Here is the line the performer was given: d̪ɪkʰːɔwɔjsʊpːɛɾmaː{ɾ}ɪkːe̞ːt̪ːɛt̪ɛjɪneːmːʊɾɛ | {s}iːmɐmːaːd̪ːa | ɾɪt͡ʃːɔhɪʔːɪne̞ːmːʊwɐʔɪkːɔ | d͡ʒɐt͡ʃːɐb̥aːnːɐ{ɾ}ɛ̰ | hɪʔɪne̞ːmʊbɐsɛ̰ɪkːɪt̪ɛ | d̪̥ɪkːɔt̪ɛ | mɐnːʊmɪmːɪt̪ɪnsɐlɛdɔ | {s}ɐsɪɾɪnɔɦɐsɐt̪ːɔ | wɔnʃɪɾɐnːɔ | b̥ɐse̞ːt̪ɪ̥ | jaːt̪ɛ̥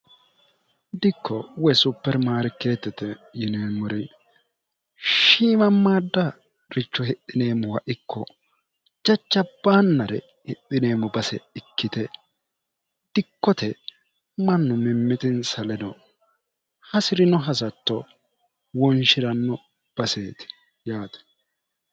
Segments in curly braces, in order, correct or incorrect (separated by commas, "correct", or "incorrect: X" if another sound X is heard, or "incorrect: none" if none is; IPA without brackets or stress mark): correct, incorrect: ʃ, correct, incorrect: h